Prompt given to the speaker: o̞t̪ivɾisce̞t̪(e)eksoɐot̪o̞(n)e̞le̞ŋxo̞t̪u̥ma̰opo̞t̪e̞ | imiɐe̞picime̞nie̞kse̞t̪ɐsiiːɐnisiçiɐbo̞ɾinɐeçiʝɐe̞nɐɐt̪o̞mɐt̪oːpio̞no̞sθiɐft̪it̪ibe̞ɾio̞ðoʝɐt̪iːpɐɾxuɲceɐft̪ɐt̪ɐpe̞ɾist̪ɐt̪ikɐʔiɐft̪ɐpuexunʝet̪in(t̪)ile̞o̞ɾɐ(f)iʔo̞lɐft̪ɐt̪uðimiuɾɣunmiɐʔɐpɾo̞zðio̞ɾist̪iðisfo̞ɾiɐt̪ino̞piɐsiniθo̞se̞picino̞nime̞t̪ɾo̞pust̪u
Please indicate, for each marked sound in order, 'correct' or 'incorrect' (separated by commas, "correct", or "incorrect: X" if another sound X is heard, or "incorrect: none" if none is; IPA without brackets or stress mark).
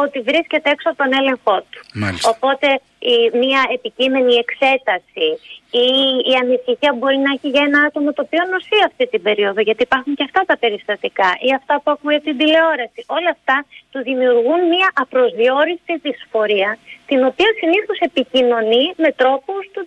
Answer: correct, correct, incorrect: d̪, incorrect: s